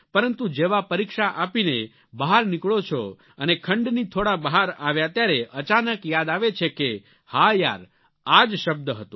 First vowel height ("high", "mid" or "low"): mid